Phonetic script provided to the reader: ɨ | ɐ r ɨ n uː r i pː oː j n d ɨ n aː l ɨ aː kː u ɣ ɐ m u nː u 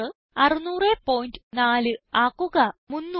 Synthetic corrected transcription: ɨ | ɐ r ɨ n uː r e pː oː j n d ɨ n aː l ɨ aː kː u ɣ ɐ m u nː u